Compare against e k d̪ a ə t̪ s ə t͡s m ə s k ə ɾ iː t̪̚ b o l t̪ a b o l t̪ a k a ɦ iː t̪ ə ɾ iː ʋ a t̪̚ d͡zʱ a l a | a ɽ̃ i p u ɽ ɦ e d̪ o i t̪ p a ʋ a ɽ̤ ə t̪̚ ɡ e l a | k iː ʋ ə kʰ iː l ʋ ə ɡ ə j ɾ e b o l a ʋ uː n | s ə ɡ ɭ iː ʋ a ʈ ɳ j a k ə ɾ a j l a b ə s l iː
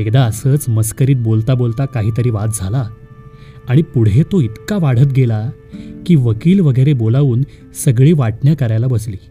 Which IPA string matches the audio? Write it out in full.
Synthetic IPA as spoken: e k d̪ a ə s ə t͡s m ə s k ə ɾ iː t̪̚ b o l t̪ a b o l t̪ a k a ɦ iː t̪ ə ɾ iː ʋ a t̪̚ d͡zʱ a l a | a ɽ̃ i p u ɽ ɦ e t̪ o i t̪ k a ʋ a ɽ̤ ə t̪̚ ɡ e l a | k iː ʋ ə k iː l ʋ ə ɡ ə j ɾ e b o l a ʋ uː n | s ə ɡ ɭ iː ʋ a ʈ ɳ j a k ə ɾ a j l a b ə s l iː